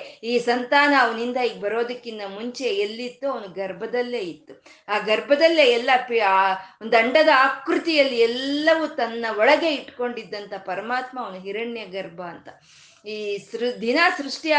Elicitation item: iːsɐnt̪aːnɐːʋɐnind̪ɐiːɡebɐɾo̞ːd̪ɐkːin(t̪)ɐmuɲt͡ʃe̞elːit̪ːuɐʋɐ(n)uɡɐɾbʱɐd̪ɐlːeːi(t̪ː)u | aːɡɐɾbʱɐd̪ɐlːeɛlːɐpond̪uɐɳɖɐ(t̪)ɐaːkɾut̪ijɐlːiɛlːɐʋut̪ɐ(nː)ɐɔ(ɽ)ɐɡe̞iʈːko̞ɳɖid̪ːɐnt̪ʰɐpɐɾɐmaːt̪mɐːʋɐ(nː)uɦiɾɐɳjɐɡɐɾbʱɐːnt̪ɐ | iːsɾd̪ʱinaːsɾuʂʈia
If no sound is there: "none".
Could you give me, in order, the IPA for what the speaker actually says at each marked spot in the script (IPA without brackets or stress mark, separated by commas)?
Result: d̪, n, t̪ː, d̪, nː, ɭ, n